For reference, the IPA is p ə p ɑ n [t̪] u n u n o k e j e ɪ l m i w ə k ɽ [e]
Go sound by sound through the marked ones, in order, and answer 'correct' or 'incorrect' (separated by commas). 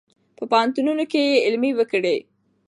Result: correct, correct